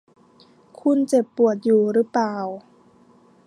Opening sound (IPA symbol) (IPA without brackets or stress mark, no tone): kʰ